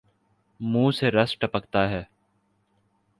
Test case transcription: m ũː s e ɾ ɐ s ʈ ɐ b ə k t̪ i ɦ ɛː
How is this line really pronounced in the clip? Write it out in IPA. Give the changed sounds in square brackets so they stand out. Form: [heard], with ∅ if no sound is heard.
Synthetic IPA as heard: m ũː s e ɾ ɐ s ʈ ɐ [p] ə k t̪ [a] ɦ ɛː